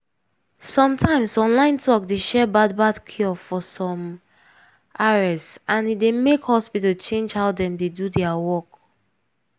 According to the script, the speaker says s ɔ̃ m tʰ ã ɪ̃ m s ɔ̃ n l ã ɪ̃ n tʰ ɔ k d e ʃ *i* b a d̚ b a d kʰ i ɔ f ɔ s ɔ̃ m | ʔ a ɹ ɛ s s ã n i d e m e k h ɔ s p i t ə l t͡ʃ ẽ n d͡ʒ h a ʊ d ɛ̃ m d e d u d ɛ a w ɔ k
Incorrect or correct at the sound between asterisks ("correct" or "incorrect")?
incorrect